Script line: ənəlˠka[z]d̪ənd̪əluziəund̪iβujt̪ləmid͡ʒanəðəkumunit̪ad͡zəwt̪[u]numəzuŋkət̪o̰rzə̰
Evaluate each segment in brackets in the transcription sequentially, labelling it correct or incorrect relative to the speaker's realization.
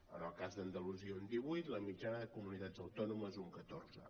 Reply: correct, incorrect: ɔ

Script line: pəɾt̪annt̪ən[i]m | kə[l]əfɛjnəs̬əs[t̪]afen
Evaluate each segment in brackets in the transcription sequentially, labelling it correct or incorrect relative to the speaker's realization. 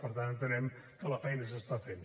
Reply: incorrect: ɛ, correct, correct

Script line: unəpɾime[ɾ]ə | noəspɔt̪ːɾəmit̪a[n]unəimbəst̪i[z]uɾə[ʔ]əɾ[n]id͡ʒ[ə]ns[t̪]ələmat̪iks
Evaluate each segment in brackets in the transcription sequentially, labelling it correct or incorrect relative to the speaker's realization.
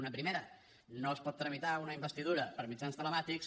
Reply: correct, incorrect: none, incorrect: ð, incorrect: p, incorrect: m, incorrect: a, correct

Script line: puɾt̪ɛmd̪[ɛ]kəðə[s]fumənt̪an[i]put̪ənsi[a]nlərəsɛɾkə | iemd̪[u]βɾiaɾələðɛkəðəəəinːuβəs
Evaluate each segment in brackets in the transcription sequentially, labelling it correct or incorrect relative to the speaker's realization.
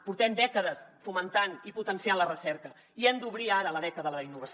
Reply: correct, correct, correct, correct, correct

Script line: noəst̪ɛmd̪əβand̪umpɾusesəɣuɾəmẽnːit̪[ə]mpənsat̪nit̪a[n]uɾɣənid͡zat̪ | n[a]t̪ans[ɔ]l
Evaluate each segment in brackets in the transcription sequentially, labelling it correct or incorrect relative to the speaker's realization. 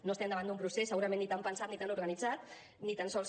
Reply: incorrect: a, correct, incorrect: i, correct

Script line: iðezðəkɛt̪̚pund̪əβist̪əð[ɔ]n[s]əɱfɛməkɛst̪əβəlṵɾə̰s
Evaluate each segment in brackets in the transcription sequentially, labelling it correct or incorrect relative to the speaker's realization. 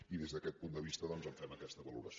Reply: correct, incorrect: z

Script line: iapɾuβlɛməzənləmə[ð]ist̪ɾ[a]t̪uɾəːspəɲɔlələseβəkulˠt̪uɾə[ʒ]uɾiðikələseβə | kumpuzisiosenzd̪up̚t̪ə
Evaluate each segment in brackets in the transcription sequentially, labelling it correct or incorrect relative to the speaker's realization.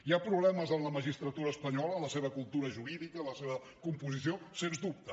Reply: incorrect: ʒ, incorrect: ə, correct

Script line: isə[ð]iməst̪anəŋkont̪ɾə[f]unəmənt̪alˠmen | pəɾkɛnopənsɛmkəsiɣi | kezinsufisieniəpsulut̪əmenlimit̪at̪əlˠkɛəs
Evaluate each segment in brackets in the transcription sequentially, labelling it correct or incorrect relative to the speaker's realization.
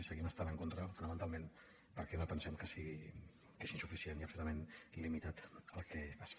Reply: incorrect: ɣ, correct

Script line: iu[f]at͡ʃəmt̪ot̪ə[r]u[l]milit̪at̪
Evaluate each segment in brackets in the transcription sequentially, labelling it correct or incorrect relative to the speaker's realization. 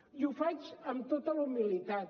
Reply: correct, incorrect: l, incorrect: none

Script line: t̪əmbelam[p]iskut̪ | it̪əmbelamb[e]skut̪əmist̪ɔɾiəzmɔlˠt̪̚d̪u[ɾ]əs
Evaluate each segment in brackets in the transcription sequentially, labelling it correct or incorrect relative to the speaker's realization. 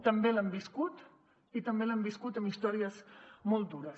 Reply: incorrect: b, incorrect: i, correct

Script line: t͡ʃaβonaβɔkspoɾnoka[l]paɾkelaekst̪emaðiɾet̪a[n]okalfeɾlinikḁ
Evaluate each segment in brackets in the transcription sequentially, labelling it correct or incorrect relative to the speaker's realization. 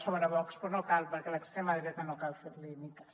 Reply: correct, correct

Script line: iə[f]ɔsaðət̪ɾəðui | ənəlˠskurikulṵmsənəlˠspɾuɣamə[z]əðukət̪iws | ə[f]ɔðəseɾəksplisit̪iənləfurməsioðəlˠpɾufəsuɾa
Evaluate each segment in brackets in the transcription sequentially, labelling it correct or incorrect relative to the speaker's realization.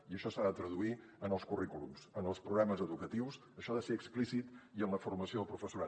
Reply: incorrect: ʃ, correct, incorrect: ʃ

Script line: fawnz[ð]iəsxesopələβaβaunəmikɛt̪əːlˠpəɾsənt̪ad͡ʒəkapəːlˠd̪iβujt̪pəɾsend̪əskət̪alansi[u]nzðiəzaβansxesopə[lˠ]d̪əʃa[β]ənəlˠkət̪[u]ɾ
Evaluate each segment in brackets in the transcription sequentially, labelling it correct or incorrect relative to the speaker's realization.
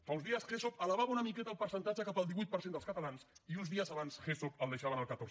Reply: correct, correct, correct, correct, incorrect: o

